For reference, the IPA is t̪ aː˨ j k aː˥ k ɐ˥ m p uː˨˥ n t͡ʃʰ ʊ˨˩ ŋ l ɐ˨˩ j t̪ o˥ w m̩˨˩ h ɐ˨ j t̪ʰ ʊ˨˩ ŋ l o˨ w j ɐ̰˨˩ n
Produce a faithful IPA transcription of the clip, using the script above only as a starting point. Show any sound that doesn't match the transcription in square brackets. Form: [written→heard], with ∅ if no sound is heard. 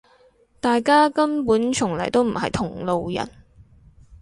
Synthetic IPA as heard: t̪ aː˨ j k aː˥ k ɐ˥ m p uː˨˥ n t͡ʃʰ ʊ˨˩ ŋ l ɐ˨˩ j t̪ o˥ w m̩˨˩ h ɐ˨ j t̪ʰ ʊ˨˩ ŋ l o˨ w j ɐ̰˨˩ n